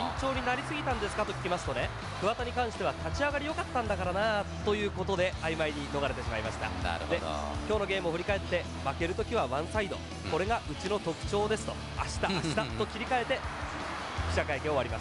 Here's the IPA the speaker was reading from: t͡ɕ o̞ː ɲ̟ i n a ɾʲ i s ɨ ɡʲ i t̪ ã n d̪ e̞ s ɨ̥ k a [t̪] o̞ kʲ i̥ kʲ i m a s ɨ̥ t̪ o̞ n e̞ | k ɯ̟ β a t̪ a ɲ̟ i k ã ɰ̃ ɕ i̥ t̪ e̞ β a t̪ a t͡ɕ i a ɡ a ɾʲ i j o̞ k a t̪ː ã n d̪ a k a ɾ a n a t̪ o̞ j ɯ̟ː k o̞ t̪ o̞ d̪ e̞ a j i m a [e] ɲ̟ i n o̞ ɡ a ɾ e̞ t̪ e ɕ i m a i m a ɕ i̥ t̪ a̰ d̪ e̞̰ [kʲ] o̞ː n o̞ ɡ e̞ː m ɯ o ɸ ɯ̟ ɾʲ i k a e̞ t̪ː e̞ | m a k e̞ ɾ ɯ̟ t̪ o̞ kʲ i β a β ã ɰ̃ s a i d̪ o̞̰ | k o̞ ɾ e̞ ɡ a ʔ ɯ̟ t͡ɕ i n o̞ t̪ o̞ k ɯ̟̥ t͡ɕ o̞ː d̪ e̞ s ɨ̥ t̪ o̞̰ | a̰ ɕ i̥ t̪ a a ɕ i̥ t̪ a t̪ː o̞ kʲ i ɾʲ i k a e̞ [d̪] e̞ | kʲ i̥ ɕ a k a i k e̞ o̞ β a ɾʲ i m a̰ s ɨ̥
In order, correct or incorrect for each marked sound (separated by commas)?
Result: correct, incorrect, correct, incorrect